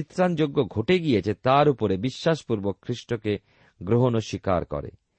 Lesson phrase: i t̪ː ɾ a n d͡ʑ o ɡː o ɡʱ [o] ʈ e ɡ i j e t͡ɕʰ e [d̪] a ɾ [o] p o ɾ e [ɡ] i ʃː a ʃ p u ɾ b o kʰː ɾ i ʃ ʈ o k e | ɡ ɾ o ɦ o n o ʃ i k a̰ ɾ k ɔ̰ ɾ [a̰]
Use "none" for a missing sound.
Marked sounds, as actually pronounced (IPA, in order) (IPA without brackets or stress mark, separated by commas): o, t̪, u, b, ḛ